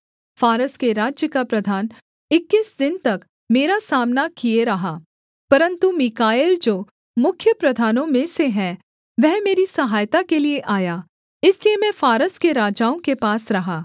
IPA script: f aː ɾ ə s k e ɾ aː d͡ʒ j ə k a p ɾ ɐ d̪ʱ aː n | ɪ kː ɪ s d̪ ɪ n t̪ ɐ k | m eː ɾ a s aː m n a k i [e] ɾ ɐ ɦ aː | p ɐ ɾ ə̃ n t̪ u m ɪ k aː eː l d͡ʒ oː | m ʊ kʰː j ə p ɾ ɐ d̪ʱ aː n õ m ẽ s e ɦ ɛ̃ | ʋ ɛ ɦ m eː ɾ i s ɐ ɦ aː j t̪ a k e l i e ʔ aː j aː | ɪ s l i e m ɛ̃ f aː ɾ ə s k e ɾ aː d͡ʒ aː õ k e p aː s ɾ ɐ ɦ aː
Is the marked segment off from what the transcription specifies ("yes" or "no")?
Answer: no